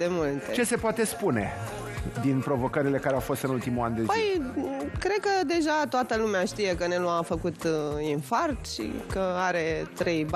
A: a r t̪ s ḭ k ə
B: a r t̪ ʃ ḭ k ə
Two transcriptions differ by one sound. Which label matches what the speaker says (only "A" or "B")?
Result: B